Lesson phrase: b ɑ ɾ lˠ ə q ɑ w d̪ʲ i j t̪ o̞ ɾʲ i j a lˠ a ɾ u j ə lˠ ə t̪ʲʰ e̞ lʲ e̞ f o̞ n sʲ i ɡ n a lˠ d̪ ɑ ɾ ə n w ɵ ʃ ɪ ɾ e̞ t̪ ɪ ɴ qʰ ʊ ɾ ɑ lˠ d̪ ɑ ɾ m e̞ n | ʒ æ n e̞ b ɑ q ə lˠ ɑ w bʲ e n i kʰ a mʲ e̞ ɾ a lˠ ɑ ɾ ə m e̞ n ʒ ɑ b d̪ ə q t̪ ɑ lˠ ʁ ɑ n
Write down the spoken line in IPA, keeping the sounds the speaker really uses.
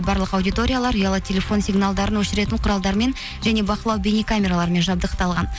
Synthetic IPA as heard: b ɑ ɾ lˠ ə q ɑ w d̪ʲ i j t̪ o̞ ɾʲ i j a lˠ ɑ ɾ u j ɑ lˠ ə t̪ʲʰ e̞ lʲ e̞ f o̞ n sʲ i ɡ n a lˠ d̪ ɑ ɾ ə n w ɵ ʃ ɪ ɾ e̞ t̪ ɪ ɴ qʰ ʊ ɾ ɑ lˠ d̪ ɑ ɾ m e̞ n | ʒ æ n e̞ b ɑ q ə lˠ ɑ w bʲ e n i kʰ a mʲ e̞ ɾ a lˠ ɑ ɾ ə m e̞ n ʒ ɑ b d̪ ə q t̪ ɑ lˠ ʁ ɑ n